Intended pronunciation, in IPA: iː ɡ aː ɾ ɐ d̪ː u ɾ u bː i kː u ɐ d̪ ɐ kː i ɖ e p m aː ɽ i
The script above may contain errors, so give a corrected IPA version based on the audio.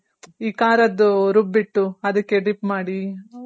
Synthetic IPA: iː k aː ɾ ɐ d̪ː u ɾ u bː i ʈː u ɐ d̪ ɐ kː e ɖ i p m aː ɽ i